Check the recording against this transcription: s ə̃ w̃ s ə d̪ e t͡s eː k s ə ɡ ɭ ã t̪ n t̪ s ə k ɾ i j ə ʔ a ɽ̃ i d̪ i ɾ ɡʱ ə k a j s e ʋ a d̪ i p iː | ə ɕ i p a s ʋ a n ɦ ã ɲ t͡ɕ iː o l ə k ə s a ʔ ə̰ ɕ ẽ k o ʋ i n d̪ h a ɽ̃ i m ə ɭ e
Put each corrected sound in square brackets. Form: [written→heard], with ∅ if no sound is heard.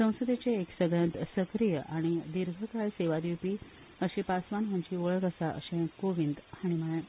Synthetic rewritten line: s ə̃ w̃ s ə d̪ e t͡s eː k s ə ɡ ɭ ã [t̪→∅] n t̪ s ə k ɾ i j ə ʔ a ɽ̃ i d̪ i ɾ ɡʱ ə k a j s e ʋ a d̪ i p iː | ə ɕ i p a s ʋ a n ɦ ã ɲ t͡ɕ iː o [l→ɭ] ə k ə s a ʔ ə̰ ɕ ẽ k o ʋ i n d̪ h a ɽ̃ i m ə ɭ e